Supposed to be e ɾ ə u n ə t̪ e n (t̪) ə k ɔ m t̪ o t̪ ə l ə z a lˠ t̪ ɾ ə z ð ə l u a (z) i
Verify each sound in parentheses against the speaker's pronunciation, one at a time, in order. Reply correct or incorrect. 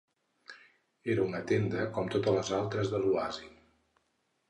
incorrect, correct

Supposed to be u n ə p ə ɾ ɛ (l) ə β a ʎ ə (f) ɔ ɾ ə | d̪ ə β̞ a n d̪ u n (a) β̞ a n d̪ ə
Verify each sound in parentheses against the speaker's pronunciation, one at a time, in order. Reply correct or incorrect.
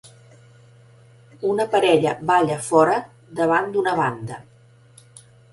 incorrect, correct, incorrect

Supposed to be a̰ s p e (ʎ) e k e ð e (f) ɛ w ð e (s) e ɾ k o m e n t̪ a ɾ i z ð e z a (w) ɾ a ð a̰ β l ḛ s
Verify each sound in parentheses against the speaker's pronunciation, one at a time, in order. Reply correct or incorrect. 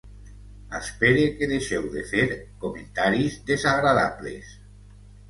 incorrect, incorrect, incorrect, incorrect

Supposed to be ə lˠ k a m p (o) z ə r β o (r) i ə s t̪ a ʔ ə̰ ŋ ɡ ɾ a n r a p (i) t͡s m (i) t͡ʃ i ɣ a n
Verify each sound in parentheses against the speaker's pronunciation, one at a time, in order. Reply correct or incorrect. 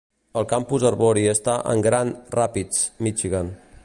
incorrect, incorrect, correct, correct

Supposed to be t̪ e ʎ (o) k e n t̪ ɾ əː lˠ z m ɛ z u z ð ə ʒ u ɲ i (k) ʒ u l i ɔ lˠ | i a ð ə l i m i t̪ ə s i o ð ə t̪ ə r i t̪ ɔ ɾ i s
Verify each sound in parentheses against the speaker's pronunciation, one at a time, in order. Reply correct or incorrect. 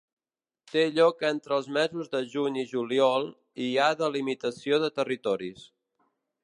incorrect, incorrect

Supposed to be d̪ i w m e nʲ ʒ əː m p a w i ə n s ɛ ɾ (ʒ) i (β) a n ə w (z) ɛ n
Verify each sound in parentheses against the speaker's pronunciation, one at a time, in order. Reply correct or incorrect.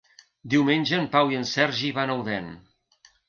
correct, correct, incorrect

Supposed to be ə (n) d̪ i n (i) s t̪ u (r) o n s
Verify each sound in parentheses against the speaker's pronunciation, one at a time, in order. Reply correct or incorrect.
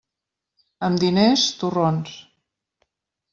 incorrect, incorrect, correct

